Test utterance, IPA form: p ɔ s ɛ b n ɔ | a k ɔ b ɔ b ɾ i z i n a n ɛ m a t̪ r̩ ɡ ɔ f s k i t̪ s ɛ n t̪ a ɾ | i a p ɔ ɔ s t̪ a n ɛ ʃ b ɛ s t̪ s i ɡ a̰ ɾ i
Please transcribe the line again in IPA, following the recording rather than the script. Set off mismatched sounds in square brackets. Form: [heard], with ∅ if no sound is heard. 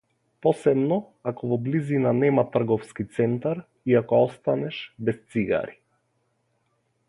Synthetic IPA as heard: p ɔ s ɛ b n ɔ | a k ɔ [v] ɔ b [l] i z i n a n ɛ m a t̪ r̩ ɡ ɔ f s k i t̪ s ɛ n t̪ a ɾ | i a [k] ɔ ɔ s t̪ a n ɛ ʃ b ɛ s t̪ s i ɡ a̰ ɾ i